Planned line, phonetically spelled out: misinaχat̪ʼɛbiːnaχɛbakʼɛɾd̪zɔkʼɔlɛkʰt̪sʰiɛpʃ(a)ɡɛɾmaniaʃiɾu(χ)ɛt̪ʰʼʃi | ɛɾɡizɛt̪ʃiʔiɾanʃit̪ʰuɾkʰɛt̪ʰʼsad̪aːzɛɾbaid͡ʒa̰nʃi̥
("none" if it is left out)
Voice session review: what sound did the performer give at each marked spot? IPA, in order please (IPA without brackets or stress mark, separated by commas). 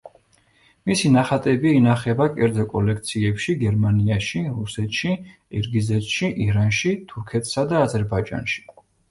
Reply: i, s